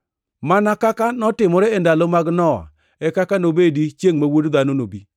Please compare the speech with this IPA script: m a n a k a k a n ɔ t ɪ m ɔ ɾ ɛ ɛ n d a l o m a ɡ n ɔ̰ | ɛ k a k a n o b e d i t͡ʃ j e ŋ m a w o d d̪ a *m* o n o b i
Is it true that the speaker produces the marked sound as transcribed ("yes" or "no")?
no